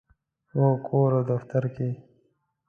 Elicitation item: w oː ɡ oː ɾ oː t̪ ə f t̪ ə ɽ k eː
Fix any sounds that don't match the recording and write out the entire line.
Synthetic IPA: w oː k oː ɾ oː d̪ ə f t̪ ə ɾ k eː